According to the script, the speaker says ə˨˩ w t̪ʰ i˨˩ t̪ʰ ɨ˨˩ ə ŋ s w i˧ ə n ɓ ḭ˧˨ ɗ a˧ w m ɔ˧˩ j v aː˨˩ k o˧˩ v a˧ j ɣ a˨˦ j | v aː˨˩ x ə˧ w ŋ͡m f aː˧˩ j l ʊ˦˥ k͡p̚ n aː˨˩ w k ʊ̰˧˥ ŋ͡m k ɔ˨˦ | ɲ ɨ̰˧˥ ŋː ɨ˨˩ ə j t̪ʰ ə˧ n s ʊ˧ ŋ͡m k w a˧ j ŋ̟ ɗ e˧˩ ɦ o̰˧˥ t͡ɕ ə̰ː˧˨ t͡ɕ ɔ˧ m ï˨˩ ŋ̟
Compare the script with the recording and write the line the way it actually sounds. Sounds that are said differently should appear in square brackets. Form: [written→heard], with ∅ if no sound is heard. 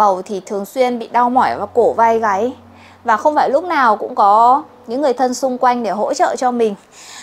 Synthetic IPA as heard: ə˨˩ w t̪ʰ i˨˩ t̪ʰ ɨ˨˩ ə ŋ s w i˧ ə n ɓ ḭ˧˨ ɗ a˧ w m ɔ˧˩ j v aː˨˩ k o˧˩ v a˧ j ɣ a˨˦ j | v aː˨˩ x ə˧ w ŋ͡m f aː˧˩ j l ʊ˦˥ k͡p̚ n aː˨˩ w k ʊ̰˧˥ ŋ͡m k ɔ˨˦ | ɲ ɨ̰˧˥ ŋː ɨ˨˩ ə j t̪ʰ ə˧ n s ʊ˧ ŋ͡m k w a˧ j ŋ̟ ɗ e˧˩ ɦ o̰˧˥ t͡ɕ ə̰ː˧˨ t͡ɕ ɔ˧ m ï˨˩ ŋ̟